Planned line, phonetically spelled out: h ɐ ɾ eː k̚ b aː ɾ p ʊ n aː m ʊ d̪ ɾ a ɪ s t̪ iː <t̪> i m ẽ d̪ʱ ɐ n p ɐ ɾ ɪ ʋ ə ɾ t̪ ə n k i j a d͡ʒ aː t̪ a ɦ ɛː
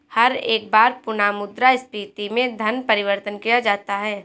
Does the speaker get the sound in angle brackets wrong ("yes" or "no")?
no